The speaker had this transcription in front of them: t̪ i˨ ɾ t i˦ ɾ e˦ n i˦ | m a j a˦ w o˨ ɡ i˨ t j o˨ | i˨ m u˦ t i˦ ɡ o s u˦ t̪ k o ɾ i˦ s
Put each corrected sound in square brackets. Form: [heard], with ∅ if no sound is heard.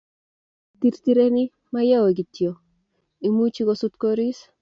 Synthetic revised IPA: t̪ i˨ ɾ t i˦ ɾ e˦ n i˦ | m a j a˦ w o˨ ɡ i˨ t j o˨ | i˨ m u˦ [t͡ʃ] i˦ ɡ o s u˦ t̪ k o ɾ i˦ s